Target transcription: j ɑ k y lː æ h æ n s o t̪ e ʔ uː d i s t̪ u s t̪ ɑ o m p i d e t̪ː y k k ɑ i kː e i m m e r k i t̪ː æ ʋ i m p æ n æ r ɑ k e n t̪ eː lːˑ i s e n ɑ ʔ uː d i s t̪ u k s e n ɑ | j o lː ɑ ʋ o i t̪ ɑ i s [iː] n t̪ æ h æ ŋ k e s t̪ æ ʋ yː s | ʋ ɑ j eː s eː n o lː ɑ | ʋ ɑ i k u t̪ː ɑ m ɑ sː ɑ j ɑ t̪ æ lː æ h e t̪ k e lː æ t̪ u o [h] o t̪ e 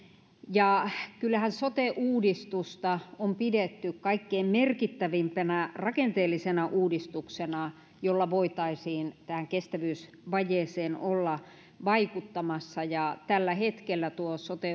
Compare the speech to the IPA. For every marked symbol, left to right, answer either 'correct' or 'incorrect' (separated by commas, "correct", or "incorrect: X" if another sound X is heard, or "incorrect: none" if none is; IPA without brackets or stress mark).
correct, incorrect: s